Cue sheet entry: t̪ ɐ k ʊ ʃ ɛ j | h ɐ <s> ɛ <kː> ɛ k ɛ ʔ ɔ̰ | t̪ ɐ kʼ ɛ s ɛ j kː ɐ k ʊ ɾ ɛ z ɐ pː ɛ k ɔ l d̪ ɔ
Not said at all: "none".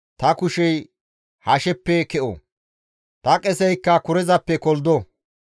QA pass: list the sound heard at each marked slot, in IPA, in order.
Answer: ʃ, pː

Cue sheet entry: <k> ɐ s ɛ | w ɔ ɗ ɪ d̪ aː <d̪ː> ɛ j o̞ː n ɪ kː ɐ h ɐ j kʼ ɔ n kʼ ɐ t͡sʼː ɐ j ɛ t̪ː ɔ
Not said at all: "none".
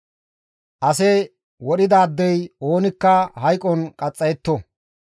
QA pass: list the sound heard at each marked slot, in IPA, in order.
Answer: ʔ, d̪ː

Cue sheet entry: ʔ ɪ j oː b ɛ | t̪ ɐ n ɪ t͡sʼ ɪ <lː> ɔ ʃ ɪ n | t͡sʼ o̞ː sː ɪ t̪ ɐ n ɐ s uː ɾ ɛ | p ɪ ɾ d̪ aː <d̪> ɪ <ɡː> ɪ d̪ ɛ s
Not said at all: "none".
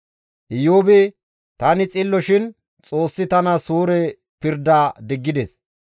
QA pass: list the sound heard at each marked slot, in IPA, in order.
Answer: lː, d̪, ɡː

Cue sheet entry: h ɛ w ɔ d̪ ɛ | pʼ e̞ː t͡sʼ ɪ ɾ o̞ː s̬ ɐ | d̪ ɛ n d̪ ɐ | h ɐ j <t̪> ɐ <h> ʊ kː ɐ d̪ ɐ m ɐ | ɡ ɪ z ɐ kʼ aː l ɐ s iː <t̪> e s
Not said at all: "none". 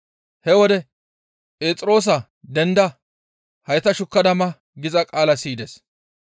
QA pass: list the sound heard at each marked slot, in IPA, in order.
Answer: t̪, ʃ, d̪

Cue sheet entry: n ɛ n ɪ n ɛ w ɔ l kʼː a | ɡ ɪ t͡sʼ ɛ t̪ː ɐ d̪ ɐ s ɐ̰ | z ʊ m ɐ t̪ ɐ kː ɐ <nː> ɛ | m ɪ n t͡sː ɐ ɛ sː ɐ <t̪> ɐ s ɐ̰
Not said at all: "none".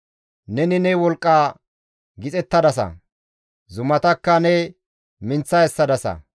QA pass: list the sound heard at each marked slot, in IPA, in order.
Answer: n, d̪

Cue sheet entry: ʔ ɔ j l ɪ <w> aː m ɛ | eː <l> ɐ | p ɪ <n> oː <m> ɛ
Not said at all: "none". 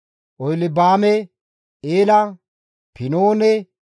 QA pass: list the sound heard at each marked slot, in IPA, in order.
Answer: b, l, n, n

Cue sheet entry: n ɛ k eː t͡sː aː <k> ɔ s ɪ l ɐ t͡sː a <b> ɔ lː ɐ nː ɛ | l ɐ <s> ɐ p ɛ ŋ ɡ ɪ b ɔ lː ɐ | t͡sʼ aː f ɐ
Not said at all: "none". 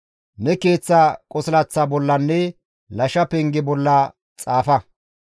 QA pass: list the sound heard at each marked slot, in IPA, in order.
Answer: kʼ, b, ʃ

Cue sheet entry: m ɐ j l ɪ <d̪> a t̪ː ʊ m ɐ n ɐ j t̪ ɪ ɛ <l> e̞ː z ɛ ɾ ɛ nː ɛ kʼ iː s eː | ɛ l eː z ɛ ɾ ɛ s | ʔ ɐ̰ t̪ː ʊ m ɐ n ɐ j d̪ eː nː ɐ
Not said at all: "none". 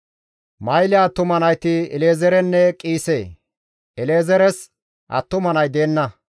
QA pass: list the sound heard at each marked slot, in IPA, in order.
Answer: none, l

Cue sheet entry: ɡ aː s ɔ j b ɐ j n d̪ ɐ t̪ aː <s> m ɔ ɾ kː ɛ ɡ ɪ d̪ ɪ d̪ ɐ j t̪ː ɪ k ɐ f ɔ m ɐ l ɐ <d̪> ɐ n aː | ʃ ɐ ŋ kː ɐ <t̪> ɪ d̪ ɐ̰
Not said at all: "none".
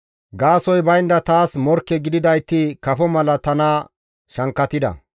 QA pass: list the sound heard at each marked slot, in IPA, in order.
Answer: s, t̪, t̪

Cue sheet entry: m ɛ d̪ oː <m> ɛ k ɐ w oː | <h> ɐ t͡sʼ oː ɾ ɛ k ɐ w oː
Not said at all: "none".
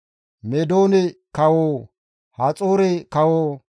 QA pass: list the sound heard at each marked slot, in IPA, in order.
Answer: n, h

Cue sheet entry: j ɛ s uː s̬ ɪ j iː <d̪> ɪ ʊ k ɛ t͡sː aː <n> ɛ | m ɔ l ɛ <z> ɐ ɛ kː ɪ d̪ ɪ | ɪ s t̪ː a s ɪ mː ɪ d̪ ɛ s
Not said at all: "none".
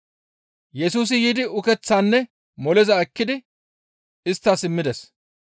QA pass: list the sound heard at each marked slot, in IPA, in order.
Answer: d̪, nː, z

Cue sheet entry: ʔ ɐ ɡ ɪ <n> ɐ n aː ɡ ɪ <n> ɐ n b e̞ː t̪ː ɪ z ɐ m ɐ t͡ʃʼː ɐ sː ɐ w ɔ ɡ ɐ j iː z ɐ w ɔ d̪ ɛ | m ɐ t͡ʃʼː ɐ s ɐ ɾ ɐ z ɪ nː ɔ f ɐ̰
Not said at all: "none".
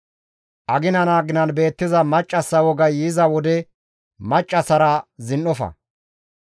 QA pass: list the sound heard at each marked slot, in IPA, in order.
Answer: n, n

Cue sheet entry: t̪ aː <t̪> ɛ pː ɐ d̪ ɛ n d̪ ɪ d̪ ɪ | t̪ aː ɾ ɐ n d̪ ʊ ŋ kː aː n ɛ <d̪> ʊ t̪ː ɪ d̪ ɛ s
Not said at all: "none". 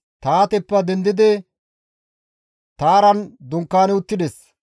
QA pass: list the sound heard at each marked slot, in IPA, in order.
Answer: t̪, none

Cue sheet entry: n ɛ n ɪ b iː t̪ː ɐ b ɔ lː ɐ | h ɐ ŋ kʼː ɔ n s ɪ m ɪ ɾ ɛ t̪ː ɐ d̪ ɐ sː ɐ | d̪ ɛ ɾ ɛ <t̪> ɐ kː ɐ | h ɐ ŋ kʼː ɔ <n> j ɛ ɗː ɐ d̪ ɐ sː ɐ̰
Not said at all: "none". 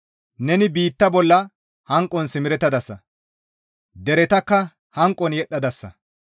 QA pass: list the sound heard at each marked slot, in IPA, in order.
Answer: t̪, n

